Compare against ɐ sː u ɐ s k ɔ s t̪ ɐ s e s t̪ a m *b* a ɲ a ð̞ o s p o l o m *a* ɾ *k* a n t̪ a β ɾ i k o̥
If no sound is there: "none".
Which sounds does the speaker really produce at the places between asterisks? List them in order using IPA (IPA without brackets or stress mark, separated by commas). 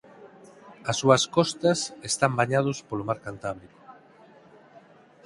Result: b, a, k